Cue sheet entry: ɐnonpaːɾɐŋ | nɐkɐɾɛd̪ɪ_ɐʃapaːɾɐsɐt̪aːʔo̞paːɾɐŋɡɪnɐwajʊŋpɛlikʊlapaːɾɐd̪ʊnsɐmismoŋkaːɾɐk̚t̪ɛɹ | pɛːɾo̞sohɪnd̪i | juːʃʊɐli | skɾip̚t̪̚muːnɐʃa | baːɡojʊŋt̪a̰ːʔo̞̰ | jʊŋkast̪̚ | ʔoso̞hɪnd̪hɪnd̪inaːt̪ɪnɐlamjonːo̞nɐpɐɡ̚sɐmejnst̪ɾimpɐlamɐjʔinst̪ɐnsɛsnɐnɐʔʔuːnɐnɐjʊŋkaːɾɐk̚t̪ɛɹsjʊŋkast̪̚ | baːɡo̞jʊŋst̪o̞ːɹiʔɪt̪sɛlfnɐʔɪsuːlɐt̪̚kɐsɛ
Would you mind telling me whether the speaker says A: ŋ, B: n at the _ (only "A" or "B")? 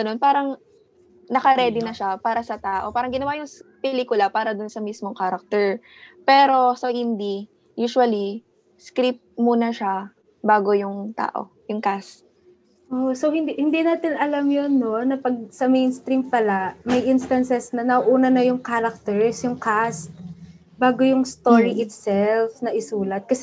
B